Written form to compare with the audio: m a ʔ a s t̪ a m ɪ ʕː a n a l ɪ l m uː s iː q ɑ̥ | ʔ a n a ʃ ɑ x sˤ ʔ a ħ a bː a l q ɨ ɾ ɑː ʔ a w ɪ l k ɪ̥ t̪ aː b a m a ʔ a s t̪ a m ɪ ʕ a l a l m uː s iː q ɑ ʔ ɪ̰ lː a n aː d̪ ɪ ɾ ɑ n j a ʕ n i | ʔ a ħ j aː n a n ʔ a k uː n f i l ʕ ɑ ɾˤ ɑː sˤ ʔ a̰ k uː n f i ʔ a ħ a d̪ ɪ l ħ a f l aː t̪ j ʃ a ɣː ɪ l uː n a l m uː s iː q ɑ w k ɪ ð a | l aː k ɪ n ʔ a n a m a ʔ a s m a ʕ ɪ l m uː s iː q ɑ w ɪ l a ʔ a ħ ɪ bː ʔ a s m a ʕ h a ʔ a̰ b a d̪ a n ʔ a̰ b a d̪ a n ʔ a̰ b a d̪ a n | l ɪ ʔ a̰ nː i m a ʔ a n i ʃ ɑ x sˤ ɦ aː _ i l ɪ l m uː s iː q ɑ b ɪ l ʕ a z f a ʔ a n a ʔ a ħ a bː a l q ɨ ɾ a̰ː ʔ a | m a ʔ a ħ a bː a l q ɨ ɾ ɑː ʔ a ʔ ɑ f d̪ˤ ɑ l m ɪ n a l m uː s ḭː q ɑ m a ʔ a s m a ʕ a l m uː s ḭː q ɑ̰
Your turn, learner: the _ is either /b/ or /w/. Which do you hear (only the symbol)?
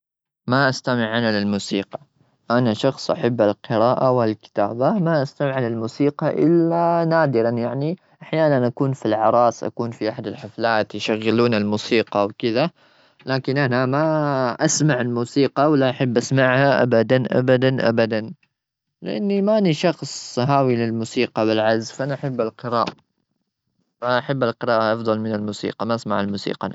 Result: w